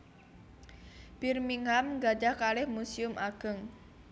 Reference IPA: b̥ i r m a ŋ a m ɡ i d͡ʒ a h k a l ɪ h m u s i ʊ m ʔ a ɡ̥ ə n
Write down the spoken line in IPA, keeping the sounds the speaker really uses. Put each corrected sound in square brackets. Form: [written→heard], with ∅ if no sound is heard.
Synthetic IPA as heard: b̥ i r m [a→i] ŋ a m ɡ [i→a] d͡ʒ a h k a l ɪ h m u s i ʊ m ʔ a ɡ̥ ə [n→ŋ]